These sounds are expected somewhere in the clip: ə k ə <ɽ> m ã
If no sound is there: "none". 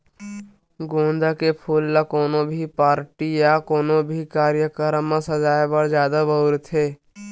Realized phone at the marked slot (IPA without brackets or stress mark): ɾ